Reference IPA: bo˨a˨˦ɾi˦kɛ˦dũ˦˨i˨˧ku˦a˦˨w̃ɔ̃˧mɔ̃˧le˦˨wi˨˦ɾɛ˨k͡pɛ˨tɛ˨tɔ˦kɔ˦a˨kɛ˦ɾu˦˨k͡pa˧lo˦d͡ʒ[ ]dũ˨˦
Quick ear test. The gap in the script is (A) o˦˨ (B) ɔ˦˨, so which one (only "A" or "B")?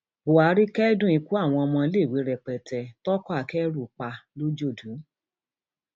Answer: A